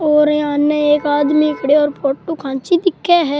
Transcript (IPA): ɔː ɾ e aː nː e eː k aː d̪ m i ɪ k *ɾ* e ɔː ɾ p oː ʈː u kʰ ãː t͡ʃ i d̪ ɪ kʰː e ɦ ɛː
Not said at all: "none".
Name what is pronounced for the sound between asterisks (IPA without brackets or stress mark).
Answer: ɽ